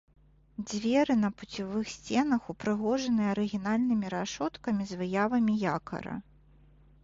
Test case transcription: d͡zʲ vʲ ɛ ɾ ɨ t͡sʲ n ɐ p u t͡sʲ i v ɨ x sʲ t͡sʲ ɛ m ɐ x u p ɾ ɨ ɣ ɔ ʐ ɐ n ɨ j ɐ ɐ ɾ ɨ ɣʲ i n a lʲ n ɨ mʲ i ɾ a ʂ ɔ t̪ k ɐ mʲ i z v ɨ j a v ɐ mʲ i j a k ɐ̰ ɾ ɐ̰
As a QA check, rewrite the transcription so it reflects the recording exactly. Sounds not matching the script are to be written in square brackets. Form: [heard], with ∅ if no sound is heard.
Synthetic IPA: d͡zʲ vʲ ɛ ɾ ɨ [∅] n ɐ p u t͡sʲ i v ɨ x sʲ t͡sʲ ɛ [n] ɐ x u p ɾ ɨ ɣ ɔ ʐ ɐ n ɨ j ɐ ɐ ɾ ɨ ɣʲ i n a lʲ n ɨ mʲ i ɾ a ʂ ɔ t̪ k ɐ mʲ i z v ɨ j a v ɐ mʲ i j a k ɐ̰ ɾ ɐ̰